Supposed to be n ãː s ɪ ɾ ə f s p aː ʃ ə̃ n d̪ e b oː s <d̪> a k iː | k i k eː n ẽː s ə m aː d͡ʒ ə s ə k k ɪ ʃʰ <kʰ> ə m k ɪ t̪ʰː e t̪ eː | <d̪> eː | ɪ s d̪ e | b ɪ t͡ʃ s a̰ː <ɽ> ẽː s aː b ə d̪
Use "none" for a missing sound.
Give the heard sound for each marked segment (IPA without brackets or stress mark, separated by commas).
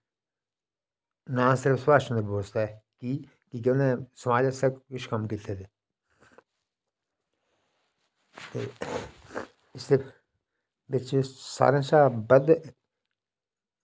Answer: t̪, k, t̪, ɾ